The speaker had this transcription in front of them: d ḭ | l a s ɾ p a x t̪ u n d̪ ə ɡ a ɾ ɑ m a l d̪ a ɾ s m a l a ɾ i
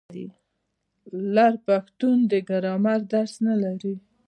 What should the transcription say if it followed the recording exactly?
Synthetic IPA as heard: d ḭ | l a ɾ p a x t̪ u n d̪ ə ɡ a ɾ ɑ m a ɾ d̪ a ɾ s n a l a ɾ i